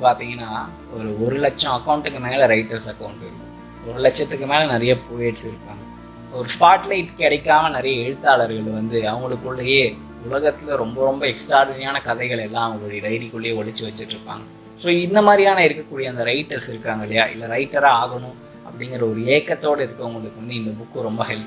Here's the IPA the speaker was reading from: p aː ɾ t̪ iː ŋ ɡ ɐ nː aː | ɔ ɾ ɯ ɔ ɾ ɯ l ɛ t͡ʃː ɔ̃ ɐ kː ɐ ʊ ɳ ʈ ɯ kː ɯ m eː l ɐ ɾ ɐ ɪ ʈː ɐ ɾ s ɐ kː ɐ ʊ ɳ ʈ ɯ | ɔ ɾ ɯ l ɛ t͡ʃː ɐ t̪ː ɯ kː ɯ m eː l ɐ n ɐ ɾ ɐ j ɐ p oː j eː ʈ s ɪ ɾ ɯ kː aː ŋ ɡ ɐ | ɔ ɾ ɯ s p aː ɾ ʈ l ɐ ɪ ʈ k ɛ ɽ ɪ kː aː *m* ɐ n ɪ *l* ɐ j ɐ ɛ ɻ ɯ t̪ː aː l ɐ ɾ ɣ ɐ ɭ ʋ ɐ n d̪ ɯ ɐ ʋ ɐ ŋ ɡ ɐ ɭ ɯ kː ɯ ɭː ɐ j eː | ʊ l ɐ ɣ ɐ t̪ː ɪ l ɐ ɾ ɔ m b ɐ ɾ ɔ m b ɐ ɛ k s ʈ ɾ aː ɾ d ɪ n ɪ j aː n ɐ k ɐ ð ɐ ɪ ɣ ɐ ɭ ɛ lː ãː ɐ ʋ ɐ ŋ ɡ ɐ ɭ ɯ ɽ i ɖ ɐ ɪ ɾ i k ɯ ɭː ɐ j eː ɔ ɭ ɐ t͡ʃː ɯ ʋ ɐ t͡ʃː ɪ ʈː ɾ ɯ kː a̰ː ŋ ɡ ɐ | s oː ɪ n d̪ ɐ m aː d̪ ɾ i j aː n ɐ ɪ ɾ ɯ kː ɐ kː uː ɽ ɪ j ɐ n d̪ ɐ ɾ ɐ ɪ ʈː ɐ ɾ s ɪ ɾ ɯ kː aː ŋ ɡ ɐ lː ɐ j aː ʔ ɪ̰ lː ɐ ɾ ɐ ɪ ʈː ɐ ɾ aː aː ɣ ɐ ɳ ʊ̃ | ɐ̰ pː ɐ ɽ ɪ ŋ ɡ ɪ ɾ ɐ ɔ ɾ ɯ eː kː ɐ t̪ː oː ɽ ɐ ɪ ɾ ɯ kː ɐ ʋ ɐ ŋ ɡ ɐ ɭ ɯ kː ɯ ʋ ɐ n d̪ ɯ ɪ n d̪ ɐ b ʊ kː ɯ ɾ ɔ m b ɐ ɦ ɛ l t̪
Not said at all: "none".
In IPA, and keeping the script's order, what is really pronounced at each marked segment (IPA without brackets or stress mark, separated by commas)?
m, ɾ